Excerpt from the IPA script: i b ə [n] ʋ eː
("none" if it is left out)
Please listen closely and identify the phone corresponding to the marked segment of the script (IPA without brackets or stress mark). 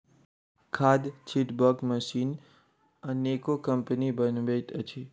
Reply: n